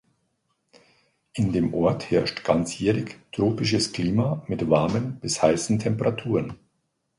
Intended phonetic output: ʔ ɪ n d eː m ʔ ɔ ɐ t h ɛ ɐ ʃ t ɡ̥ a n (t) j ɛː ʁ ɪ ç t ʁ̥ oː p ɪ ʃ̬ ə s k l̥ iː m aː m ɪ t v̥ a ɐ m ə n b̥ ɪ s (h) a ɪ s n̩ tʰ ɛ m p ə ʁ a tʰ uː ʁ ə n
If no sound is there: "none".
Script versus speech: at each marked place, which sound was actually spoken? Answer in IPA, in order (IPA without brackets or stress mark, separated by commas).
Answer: t͡s, h